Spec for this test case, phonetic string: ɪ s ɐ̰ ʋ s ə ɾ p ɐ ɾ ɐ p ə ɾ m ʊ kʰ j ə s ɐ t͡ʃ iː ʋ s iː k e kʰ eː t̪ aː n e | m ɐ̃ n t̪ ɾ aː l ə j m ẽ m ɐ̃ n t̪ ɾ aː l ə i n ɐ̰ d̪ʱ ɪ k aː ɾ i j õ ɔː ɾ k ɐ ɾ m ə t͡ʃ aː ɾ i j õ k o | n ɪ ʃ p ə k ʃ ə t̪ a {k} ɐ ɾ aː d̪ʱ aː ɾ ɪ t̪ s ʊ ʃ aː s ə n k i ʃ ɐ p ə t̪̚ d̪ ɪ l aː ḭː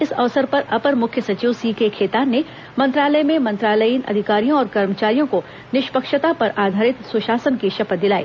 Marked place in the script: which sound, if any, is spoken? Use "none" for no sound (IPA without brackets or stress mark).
p